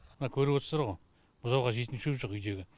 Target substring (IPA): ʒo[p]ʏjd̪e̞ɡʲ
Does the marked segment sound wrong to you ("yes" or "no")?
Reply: yes